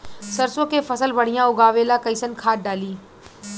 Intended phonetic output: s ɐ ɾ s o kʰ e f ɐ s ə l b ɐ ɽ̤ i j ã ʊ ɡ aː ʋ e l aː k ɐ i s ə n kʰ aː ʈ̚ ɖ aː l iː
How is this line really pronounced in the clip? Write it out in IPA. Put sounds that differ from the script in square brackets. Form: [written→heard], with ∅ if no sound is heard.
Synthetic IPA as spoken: s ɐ ɾ s o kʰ e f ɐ s ə l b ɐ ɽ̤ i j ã ʊ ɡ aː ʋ e l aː k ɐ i s ə n kʰ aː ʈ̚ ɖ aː l iː

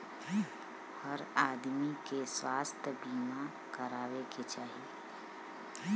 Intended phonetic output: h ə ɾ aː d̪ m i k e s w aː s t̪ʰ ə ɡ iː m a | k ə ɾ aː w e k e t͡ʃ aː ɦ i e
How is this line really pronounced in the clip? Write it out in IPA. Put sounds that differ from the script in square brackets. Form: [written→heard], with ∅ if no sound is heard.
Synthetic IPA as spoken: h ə ɾ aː d̪ m i k e s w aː s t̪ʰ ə [ɡ→b] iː m a | k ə ɾ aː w e k e t͡ʃ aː ɦ i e

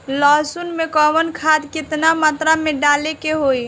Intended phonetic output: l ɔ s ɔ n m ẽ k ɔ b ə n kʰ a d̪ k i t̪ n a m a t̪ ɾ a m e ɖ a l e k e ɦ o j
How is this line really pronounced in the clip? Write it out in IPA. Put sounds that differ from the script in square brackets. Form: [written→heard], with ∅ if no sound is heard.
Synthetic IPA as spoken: l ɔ s [ɔ→u] n m [ẽ→e] k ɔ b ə n kʰ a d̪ k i t̪ n a m a t̪ ɾ a m e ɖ a l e k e ɦ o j

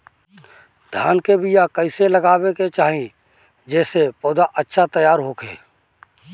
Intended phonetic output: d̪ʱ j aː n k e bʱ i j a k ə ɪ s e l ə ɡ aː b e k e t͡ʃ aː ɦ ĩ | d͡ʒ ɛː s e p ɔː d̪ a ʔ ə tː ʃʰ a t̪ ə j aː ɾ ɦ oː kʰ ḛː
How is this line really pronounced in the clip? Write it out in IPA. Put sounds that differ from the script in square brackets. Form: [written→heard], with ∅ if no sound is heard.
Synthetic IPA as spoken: d̪ʱ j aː n k e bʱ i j a k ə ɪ s e l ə ɡ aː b e k e t͡ʃ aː ɦ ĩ | d͡ʒ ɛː s e p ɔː d̪ a ʔ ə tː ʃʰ a t̪ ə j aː ɾ ɦ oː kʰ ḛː

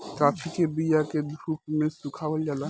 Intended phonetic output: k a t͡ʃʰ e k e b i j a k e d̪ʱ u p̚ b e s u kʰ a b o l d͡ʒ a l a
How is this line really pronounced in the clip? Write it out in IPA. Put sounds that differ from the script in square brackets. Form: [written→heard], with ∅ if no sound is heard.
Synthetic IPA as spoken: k a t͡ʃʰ [e→i] k e b i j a k e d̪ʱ u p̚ [b→m] e s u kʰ a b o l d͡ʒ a l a

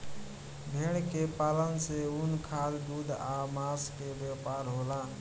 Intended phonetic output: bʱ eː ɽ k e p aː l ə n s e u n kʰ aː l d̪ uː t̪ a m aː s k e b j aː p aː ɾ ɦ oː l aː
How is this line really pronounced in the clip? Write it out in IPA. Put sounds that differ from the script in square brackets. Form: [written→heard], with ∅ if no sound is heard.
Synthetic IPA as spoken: bʱ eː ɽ k e p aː l ə n s e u n kʰ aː l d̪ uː [t̪→d̪] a m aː s k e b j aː p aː ɾ ɦ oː l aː

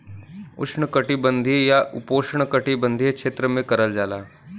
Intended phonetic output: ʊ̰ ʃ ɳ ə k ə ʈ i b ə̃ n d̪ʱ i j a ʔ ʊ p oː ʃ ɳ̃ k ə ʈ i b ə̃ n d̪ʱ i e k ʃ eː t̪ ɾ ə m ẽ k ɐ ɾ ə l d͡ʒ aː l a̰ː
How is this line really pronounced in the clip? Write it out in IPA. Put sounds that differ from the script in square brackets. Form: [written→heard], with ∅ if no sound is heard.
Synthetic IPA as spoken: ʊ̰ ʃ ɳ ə k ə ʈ i b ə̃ n d̪ʱ i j a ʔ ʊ p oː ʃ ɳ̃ k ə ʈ i b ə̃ n d̪ʱ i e k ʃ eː t̪ ɾ ə m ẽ k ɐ ɾ ə l d͡ʒ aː l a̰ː

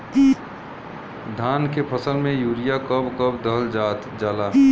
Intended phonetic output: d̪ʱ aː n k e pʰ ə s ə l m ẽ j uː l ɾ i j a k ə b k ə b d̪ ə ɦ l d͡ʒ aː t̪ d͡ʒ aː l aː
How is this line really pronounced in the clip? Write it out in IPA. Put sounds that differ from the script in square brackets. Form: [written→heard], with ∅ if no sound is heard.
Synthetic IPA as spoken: d̪ʱ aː n k e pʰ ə s ə l m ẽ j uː [l→∅] ɾ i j a k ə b k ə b d̪ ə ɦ l d͡ʒ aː t̪ d͡ʒ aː l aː

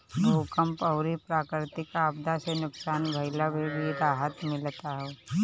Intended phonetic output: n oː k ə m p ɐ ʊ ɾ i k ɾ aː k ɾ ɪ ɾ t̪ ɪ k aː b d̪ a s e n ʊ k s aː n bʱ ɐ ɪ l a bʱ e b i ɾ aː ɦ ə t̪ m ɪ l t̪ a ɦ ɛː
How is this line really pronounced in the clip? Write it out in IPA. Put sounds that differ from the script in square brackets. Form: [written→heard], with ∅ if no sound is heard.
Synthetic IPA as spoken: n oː k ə m p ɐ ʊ ɾ i [k→p] ɾ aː k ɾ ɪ ɾ t̪ ɪ k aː b d̪ a s e n ʊ k s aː n bʱ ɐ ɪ l a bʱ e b i ɾ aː ɦ ə t̪ m ɪ l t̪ a ɦ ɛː

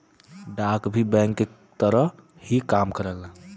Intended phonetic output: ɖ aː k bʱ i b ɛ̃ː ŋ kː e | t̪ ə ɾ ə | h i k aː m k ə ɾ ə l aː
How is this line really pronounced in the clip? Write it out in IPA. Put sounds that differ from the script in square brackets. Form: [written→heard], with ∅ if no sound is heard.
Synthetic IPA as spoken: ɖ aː k bʱ i b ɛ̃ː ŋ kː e | t̪ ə ɾ ə | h i k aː m k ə ɾ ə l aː

